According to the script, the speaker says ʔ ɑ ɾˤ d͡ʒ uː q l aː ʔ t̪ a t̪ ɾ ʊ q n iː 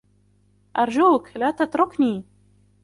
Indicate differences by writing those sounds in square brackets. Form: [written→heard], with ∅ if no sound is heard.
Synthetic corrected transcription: ʔ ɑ ɾˤ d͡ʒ uː [q→k] l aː [ʔ→∅] t̪ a t̪ ɾ ʊ [q→k] n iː